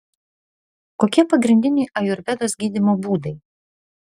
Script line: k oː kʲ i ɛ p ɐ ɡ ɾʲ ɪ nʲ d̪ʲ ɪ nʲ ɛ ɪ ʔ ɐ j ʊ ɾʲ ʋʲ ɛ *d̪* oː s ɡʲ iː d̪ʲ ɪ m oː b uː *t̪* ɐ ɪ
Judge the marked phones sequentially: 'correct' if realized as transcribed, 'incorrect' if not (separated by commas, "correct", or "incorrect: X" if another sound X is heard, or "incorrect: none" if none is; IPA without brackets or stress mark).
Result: correct, incorrect: d̪